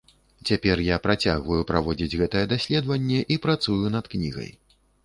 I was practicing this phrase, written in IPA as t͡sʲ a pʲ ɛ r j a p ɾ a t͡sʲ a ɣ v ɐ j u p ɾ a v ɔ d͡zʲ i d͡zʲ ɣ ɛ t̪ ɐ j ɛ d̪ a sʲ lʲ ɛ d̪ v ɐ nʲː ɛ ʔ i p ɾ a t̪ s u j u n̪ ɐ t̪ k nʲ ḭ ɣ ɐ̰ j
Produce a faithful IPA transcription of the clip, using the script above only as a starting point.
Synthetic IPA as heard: t͡sʲ a pʲ ɛ r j a p ɾ a t͡sʲ a ɣ v ɐ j u p ɾ a v ɔ d͡zʲ i d͡zʲ ɣ ɛ t̪ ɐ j ɛ d̪ a sʲ lʲ ɛ d̪ v ɐ nʲː ɛ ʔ i p ɾ a t̪ s u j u n̪ ɐ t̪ k nʲ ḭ ɣ ɐ̰ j